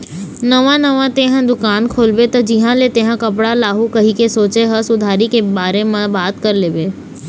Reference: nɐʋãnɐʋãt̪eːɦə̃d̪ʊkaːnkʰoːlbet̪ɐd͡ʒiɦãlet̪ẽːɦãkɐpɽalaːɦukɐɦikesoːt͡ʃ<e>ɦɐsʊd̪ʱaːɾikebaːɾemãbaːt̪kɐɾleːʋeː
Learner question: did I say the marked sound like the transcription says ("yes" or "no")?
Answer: yes